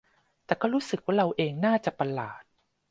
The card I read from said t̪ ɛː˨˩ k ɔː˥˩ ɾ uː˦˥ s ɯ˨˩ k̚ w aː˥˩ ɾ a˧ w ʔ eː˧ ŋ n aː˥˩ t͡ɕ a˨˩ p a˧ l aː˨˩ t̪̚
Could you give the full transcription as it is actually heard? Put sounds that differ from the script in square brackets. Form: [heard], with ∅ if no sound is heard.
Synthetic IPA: t̪ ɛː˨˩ k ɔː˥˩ ɾ uː˦˥ s ɯ˨˩ k̚ w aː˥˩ ɾ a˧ w ʔ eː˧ ŋ n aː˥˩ t͡ɕ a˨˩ p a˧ l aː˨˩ t̪̚